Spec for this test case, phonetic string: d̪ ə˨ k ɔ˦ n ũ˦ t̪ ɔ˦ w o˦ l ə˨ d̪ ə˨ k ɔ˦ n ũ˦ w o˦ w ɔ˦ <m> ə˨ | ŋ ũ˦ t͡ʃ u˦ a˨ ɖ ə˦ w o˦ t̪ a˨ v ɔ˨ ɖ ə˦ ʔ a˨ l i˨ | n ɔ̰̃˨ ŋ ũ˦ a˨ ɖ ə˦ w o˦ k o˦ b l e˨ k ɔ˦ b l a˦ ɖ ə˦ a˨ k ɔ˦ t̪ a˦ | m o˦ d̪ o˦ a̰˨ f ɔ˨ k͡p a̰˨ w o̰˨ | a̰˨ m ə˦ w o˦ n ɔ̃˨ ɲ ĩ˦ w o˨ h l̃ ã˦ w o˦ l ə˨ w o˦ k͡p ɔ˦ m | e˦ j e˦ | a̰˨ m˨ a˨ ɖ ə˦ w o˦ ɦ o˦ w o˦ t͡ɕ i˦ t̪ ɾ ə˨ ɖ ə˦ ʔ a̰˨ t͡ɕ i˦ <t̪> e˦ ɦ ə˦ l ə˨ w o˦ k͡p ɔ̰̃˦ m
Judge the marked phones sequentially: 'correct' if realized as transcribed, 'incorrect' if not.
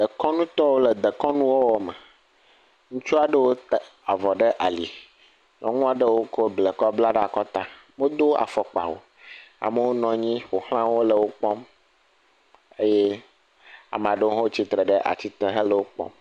correct, correct

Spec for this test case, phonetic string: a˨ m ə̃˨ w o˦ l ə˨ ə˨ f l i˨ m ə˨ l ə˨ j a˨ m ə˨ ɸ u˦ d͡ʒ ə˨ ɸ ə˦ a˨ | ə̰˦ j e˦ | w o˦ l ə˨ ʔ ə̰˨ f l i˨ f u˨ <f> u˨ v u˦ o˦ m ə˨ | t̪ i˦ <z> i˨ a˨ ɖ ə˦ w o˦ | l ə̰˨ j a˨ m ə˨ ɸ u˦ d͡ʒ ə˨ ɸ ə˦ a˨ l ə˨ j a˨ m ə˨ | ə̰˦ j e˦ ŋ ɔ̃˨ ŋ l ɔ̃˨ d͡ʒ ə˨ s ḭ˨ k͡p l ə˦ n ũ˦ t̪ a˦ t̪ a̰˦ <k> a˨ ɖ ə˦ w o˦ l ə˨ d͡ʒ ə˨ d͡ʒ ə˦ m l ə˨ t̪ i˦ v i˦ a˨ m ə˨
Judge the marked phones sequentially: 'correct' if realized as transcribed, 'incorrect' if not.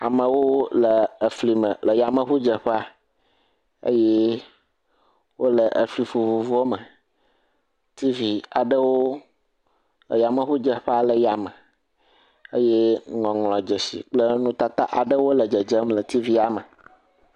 incorrect, incorrect, incorrect

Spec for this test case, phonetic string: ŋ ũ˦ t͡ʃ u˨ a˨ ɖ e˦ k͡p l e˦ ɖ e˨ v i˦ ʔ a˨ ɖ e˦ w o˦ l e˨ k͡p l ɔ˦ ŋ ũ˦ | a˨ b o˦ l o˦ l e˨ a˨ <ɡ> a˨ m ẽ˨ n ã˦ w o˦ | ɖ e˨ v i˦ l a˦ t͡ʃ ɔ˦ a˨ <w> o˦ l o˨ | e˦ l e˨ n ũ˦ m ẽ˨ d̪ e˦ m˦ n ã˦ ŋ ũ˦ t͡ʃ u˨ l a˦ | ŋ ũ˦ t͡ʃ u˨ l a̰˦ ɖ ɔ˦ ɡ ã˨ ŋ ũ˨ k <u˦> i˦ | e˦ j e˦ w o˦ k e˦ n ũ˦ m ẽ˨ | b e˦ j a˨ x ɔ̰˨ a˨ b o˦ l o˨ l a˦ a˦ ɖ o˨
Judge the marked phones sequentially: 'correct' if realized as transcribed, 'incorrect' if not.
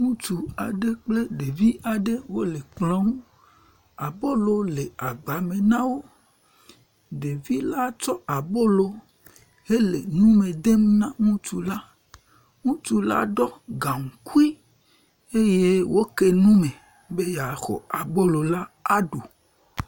incorrect, incorrect, correct

